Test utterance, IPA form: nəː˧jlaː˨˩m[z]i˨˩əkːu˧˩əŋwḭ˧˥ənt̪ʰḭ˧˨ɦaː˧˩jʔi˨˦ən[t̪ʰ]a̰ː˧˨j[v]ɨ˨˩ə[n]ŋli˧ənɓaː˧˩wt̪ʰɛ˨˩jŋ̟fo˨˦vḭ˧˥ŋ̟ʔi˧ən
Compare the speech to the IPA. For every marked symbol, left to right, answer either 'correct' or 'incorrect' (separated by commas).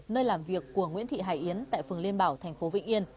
incorrect, incorrect, incorrect, incorrect